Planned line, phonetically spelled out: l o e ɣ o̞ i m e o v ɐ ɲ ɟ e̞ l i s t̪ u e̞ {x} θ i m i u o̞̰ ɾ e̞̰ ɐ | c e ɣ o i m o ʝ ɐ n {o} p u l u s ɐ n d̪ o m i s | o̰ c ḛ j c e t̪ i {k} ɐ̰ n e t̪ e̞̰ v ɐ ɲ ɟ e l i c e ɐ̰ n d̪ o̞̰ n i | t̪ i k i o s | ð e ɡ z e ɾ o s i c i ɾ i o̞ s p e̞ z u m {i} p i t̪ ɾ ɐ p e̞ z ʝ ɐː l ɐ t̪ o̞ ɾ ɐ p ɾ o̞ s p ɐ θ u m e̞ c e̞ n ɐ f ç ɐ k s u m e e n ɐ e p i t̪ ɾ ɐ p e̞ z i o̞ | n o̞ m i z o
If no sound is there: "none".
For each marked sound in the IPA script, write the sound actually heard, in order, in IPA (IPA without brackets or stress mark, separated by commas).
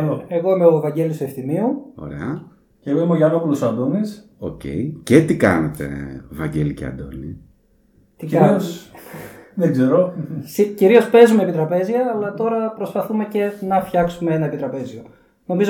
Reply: f, o, k, e